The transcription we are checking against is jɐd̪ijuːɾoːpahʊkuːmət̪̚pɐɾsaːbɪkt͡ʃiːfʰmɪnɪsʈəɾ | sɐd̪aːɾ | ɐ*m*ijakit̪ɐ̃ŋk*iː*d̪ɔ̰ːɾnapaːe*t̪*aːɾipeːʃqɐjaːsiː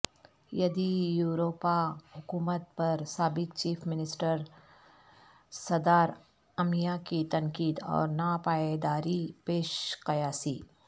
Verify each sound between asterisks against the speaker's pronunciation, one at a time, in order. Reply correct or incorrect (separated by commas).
correct, correct, incorrect